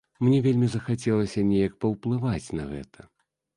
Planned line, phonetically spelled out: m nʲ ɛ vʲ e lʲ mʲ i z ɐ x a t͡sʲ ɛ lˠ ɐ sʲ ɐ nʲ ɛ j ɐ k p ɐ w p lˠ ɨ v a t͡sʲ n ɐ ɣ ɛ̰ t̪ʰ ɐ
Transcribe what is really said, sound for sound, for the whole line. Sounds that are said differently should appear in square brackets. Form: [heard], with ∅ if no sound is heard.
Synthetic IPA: m nʲ ɛ vʲ e lʲ mʲ i z ɐ x a t͡sʲ ɛ lˠ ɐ sʲ ɐ nʲ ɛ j ɐ k p ɐ w p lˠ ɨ v a t͡sʲ n ɐ ɣ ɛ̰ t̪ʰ ɐ

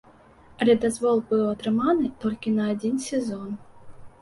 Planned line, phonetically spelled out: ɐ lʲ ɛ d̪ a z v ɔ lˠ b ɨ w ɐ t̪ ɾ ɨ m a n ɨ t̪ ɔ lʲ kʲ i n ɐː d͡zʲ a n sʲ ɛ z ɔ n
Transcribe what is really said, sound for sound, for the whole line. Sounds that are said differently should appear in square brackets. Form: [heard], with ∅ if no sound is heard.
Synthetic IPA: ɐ lʲ ɛ d̪ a z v ɔ lˠ b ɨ w ɐ t̪ ɾ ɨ m a n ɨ t̪ ɔ lʲ kʲ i n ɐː d͡zʲ [i] n sʲ ɛ z ɔ n

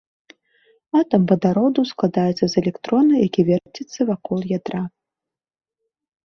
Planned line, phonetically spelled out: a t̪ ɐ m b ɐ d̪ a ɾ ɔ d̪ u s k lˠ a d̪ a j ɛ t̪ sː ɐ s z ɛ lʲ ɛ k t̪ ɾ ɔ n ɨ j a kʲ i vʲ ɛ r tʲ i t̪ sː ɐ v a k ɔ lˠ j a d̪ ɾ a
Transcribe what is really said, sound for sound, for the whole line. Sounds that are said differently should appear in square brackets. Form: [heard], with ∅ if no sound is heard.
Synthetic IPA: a t̪ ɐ m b ɐ d̪ a ɾ ɔ d̪ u s k lˠ a d̪ a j ɛ t̪ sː ɐ [∅] z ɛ lʲ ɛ k t̪ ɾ ɔ n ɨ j a kʲ i vʲ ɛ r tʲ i t̪ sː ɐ v a k ɔ lˠ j a d̪ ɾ a

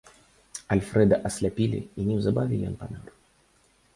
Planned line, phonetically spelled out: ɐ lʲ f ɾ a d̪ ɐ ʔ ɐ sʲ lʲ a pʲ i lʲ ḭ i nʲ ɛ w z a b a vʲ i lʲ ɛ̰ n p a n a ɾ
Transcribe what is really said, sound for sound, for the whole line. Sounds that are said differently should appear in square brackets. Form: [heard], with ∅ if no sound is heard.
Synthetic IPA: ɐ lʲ f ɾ [ɛ] d̪ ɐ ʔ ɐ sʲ lʲ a pʲ i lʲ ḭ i nʲ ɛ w z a b a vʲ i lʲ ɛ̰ n p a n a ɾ

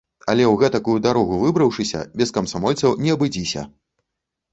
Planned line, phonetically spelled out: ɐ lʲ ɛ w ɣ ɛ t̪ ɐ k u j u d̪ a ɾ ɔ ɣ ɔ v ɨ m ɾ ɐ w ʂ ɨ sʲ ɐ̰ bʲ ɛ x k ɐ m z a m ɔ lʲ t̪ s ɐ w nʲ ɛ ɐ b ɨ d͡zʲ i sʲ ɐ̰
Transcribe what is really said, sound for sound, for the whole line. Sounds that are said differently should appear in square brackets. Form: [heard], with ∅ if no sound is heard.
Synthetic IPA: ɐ lʲ ɛ w ɣ ɛ t̪ ɐ k u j u d̪ a ɾ ɔ ɣ [u] v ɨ [b] ɾ ɐ w ʂ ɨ sʲ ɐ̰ bʲ ɛ [s] k ɐ m [s] a m ɔ lʲ t̪ s ɐ w nʲ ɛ ɐ b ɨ d͡zʲ i sʲ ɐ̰

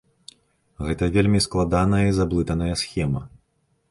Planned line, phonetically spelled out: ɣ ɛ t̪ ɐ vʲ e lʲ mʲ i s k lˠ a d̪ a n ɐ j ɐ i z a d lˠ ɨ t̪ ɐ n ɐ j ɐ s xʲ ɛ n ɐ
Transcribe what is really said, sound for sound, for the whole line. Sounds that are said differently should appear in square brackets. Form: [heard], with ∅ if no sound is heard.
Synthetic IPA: ɣ ɛ t̪ ɐ vʲ e lʲ mʲ i s k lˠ a d̪ a n ɐ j ɐ i z a [b] lˠ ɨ t̪ ɐ n ɐ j ɐ s xʲ ɛ [m] ɐ

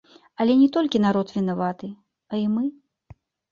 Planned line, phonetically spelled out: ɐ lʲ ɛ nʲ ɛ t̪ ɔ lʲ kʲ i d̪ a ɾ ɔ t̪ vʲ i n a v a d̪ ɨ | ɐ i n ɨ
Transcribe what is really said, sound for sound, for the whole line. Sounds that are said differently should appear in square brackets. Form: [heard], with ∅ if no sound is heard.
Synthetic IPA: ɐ lʲ ɛ nʲ ɛ t̪ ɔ lʲ kʲ i [n̪] a ɾ ɔ t̪ vʲ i n a v a [t̪] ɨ | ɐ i [m] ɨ

